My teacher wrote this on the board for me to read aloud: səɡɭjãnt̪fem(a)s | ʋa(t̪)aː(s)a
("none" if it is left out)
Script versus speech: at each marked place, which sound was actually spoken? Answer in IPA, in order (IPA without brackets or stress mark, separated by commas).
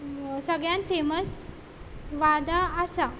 ə, d̪, s